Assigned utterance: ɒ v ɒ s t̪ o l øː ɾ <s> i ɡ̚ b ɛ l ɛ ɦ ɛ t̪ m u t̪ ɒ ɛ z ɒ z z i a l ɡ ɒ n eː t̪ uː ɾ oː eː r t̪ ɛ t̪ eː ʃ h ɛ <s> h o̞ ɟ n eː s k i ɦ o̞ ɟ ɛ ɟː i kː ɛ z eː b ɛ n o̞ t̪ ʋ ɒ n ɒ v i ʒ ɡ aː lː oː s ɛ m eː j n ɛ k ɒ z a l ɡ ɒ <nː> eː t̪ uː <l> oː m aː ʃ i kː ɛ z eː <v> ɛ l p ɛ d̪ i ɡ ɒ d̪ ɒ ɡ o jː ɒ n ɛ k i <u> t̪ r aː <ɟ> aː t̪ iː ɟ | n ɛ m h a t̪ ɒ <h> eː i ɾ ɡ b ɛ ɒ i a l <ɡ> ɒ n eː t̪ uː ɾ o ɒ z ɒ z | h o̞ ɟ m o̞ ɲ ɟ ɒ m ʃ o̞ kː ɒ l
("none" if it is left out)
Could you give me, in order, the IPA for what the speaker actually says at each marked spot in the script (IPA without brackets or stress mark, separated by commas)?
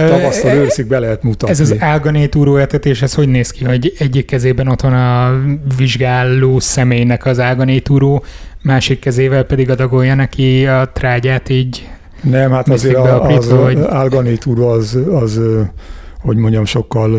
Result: s, s, n, ɾ, v, ɒ, ɟ, s, ɡ